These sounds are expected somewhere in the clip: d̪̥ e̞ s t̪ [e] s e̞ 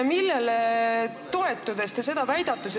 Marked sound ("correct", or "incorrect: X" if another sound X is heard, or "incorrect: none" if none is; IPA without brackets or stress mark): correct